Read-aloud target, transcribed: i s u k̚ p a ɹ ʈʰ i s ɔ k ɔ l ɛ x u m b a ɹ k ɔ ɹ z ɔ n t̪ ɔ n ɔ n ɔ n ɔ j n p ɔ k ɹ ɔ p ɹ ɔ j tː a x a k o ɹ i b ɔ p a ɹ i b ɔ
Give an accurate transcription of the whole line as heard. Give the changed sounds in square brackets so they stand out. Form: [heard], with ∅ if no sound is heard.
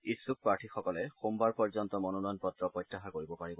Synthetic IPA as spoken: i s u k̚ p a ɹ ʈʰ i [x] ɔ k ɔ l ɛ x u m b a ɹ [p] ɔ ɹ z ɔ n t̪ ɔ [m] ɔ n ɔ n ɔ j n p ɔ [t] ɹ ɔ p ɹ ɔ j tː a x a k o ɹ i b ɔ p a ɹ i b ɔ